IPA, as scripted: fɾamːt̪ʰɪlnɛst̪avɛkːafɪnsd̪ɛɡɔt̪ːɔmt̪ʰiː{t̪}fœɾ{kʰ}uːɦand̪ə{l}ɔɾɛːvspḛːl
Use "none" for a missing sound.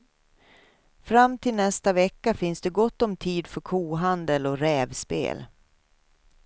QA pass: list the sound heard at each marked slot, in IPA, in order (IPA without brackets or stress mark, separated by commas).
d̪, kʰ, l